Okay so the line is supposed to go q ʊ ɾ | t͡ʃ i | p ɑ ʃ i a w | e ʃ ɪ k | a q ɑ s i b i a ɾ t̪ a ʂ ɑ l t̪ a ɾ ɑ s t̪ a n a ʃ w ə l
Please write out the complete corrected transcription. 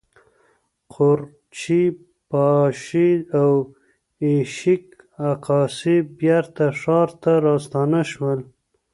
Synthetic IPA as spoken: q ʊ ɾ | t͡ʃ i | p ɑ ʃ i a w | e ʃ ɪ k | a q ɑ s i b j a ɾ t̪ a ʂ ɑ ɾ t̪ a ɾ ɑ s t̪ ɑ n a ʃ w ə l